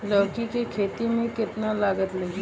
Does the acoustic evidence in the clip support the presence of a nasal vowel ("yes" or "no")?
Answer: yes